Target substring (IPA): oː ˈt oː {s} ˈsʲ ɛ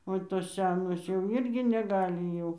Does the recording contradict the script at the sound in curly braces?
no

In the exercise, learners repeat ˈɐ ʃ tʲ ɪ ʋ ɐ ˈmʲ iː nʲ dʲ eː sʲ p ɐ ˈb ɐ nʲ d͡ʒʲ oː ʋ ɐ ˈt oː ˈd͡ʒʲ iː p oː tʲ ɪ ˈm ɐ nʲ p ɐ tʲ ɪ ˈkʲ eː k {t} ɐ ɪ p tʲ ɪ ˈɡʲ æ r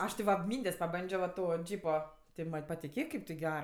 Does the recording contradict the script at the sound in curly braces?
yes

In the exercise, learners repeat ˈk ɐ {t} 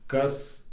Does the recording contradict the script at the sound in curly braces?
yes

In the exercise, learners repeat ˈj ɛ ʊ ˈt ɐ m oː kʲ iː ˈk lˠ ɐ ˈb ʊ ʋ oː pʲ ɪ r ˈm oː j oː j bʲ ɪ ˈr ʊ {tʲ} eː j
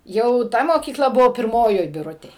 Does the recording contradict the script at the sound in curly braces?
no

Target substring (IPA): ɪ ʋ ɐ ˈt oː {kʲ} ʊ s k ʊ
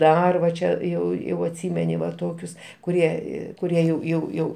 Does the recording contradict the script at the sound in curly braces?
no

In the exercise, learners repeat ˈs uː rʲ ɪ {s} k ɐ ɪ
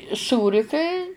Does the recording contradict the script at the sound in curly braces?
yes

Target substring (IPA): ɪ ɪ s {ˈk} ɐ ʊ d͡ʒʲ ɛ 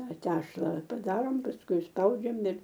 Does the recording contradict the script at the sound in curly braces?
yes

